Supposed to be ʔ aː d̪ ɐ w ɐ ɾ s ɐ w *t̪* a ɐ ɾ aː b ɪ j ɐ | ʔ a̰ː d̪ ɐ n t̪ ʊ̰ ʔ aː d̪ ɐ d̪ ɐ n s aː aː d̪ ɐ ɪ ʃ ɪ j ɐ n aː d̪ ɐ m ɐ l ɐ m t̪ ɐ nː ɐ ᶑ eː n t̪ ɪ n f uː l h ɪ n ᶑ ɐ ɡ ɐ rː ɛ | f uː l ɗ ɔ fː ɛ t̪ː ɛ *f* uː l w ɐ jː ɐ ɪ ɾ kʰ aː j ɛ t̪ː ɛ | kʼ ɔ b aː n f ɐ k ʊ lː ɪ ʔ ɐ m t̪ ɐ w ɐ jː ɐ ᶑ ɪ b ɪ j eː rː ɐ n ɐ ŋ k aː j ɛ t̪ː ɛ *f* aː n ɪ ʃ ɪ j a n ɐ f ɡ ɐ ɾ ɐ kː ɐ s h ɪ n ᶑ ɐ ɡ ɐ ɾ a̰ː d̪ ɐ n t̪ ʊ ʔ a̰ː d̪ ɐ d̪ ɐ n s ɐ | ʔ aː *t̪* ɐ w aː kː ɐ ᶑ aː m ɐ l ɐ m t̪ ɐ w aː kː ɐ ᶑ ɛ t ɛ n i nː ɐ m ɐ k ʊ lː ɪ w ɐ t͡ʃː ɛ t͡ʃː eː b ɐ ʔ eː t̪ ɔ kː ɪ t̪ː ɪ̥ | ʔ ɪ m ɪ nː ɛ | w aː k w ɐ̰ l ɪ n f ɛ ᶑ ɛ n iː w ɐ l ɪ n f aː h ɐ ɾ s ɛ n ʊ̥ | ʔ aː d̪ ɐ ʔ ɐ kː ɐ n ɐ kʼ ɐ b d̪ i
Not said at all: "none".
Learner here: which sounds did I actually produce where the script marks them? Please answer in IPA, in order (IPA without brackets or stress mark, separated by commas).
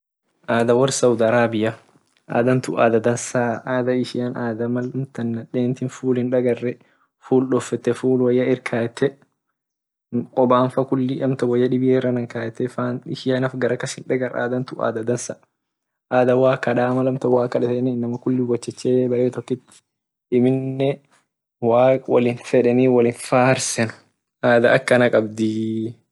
d̪, f, f, d̪